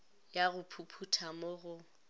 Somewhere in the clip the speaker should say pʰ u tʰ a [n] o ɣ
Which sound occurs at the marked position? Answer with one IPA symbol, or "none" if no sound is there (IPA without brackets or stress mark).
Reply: m